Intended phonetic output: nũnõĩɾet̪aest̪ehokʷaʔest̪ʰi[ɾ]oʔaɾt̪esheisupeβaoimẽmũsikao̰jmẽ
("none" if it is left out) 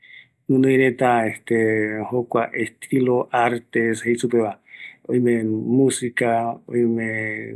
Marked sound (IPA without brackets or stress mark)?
l